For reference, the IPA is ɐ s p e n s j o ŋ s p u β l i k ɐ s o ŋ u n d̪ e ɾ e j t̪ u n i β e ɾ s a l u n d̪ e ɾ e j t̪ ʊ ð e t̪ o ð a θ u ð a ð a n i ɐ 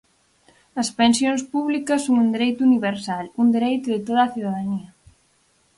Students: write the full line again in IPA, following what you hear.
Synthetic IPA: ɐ s p e n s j o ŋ s p u β l i k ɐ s o ŋ u n d̪ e ɾ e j t̪ u n i β e ɾ s a l u n d̪ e ɾ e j t̪ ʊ ð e t̪ o ð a θ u ð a ð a n i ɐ